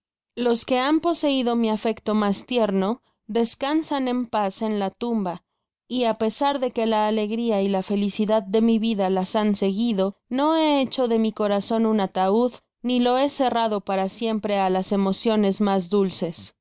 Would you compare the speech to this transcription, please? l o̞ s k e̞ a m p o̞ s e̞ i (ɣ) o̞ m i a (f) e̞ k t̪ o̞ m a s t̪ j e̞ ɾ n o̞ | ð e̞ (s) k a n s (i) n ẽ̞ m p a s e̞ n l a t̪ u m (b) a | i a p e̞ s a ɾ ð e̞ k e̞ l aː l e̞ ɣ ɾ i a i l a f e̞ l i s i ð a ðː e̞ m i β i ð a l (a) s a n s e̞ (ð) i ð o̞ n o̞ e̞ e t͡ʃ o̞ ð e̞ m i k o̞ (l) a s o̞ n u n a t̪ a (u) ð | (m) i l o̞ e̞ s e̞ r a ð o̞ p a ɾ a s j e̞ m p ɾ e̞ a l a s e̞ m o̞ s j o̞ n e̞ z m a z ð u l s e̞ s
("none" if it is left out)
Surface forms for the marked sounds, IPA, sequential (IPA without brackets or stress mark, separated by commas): ð, f, s, a, b, a, ɣ, ɾ, u, n